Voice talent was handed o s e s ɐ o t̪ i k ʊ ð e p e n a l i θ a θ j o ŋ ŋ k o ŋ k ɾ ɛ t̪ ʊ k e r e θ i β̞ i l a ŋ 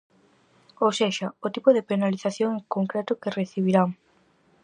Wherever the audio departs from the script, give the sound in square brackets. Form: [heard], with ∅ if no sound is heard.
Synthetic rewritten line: o s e [ʃ] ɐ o t̪ i [p] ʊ ð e p e n a l i θ a θ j o ŋ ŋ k o ŋ k ɾ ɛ t̪ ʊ k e r e θ i β̞ i [ɾ] a ŋ